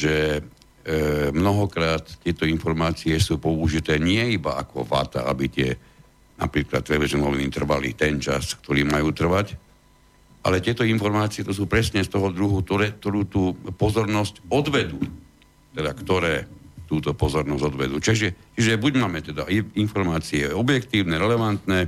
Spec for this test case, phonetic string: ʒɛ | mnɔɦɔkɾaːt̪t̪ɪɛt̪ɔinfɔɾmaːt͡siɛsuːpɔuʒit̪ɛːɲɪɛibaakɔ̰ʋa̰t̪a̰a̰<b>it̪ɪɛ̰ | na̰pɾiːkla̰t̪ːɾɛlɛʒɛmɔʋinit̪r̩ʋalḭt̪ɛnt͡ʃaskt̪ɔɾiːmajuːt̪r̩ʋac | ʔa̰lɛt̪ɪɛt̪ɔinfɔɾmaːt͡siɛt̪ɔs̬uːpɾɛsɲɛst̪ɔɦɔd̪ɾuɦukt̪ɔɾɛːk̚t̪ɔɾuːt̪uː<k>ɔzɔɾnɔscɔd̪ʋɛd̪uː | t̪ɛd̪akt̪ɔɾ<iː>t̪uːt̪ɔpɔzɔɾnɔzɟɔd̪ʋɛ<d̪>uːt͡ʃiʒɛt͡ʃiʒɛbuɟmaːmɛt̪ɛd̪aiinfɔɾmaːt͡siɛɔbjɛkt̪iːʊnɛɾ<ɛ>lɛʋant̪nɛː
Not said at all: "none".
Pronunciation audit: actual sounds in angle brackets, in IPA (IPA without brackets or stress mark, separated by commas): b, p, ɛː, d̪, ɛ